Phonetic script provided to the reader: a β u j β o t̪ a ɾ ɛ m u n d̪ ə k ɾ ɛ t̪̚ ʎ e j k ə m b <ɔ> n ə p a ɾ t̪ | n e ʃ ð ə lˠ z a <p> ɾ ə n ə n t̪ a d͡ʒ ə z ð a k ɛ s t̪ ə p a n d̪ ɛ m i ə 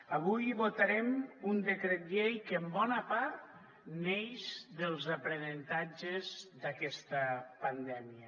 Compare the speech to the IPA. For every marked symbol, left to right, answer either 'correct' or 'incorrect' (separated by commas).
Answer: correct, correct